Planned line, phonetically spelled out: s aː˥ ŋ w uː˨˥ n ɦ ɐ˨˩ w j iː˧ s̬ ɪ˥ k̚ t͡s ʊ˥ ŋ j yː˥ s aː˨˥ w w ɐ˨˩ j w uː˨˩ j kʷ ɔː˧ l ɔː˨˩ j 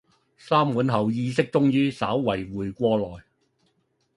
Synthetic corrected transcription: s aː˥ m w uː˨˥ n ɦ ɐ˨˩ w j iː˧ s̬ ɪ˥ k̚ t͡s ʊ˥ ŋ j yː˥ s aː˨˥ w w ɐ˨˩ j w uː˨˩ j kʷ ɔː˧ l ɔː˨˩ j